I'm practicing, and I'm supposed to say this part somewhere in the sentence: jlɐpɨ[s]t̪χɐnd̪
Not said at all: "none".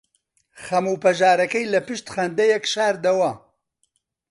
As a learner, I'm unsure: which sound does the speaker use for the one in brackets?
ʃ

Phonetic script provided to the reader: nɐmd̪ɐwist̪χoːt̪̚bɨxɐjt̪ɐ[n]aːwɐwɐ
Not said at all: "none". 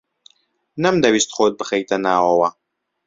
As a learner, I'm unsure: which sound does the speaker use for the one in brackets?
n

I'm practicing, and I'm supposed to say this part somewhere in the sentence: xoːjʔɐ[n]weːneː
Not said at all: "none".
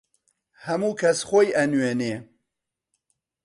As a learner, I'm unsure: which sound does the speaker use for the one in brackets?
n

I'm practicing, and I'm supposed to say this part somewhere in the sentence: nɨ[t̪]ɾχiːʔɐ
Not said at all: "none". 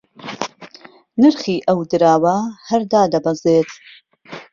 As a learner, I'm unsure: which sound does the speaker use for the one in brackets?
none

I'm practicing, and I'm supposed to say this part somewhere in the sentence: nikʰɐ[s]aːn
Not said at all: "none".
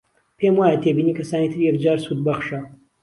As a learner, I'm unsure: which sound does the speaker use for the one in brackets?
s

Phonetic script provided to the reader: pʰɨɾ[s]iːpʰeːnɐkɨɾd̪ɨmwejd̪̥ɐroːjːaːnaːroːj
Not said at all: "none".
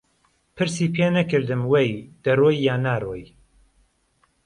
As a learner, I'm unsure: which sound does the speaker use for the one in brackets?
s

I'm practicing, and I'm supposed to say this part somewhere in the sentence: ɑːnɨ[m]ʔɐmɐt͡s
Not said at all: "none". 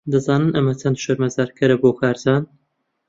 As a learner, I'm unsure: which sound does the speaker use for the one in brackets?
n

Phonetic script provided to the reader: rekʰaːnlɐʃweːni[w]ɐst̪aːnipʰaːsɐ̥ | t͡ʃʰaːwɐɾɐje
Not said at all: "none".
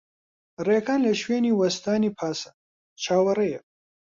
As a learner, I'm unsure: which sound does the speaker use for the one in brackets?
w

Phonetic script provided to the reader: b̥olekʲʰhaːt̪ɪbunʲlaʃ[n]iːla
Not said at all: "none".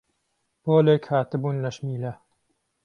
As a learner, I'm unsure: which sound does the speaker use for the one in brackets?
m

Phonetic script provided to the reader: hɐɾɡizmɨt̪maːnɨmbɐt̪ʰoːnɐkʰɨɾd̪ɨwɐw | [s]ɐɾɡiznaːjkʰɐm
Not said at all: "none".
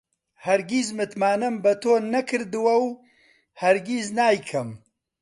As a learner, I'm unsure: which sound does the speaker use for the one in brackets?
h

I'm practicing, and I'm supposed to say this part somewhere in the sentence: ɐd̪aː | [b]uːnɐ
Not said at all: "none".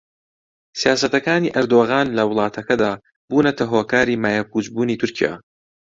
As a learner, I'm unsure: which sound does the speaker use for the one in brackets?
b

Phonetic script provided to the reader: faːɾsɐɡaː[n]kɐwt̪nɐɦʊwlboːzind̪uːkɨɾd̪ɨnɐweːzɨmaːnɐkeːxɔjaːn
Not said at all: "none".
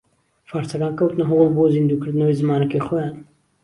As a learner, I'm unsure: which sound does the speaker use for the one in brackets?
n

